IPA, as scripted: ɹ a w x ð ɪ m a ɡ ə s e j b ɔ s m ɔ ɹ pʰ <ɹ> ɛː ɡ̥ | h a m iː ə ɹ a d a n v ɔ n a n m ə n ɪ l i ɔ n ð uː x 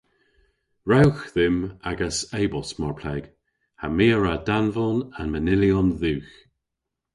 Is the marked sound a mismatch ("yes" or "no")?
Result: yes